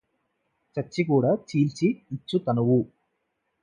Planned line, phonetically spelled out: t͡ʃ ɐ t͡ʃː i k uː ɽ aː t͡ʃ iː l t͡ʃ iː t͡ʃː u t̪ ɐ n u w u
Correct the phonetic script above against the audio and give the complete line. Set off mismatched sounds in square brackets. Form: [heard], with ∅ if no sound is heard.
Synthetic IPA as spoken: t͡ʃ ɐ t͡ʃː i k uː ɽ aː t͡ʃ iː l t͡ʃ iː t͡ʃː u t̪ ɐ n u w u